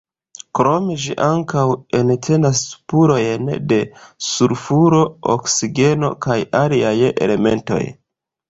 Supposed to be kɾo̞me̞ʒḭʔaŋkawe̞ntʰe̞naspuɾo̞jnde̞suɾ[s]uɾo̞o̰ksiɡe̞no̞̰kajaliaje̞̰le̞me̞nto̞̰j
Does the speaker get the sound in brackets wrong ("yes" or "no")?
yes